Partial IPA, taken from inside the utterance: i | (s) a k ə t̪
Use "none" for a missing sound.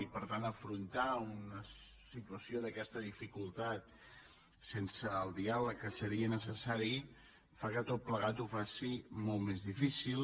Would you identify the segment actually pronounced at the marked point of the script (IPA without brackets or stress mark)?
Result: f